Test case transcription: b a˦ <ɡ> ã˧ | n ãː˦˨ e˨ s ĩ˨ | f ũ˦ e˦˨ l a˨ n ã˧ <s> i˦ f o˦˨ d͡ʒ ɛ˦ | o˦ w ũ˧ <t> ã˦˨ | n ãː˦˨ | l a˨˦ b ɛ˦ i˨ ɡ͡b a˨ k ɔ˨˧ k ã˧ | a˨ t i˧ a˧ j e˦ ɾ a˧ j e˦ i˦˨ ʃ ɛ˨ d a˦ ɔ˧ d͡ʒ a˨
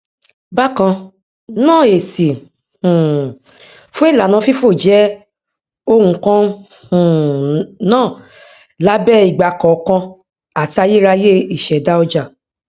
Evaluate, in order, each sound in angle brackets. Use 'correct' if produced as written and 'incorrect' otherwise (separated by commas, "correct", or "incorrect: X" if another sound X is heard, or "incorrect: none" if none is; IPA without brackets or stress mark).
incorrect: k, incorrect: f, incorrect: k